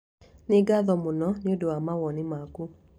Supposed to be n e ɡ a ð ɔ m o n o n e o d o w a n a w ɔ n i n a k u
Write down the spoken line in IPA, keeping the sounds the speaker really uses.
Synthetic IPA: n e ɡ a ð ɔ m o n ɔ n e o d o w a m a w ɔ n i m a k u

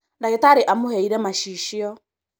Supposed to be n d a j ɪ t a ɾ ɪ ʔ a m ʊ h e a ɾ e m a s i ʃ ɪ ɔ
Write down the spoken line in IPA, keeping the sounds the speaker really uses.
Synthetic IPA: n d a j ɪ t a ɾ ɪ ʔ a m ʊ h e i ɾ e m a ʃ i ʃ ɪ ɔ

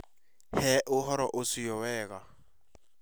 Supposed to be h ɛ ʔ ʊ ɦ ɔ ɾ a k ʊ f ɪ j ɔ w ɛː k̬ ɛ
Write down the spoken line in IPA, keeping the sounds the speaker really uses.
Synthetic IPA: h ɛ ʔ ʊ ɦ ɔ ɾ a ʔ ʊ s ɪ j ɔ w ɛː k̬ a

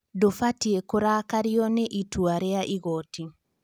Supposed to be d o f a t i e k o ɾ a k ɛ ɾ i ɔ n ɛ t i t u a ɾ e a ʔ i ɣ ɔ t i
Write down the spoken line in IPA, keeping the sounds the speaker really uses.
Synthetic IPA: d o f a t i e k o ɾ a k a ɾ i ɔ n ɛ ʔ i t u a ɾ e a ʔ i ɣ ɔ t i

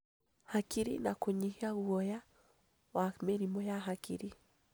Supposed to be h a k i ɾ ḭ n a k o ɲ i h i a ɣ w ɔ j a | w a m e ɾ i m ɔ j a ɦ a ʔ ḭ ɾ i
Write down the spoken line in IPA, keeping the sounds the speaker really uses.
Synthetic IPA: h a k i ɾ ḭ n a k o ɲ i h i a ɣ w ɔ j a | w a m e ɾ i m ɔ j a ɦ a k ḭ ɾ i

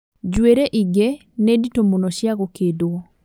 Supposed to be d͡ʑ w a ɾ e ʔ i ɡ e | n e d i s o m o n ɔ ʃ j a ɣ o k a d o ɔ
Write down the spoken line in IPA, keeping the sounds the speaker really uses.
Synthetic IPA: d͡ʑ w e ɾ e ʔ i ɡ e | n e d i t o m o n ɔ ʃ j a ɣ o k e d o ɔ

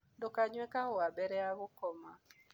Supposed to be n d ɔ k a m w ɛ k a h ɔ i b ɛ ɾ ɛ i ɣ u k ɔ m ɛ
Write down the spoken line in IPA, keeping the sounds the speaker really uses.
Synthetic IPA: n d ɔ k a ɲ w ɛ k a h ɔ a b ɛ ɾ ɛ a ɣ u k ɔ m a

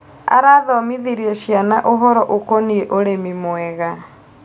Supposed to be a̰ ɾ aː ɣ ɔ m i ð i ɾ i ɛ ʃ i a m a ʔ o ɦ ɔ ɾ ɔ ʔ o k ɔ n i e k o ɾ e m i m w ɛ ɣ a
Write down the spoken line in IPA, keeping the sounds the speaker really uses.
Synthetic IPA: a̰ ɾ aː ð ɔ m i ð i ɾ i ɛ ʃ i a n a ʔ o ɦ ɔ ɾ ɔ ʔ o k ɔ n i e ʔ o ɾ e m i m w ɛ ɣ a

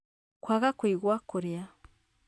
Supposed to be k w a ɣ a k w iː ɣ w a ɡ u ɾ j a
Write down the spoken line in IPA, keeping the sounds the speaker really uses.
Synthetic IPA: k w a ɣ a k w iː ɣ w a k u ɾ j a

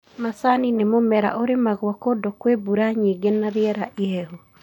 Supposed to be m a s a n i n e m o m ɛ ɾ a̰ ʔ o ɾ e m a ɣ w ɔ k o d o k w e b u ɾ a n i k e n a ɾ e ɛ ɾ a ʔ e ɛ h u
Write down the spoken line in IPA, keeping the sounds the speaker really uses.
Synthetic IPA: m a s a n i n e m o m ɛ ɾ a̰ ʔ o ɾ e m a ɣ w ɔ k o d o k w e b u ɾ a ɲ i ɡ e n a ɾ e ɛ ɾ a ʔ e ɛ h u

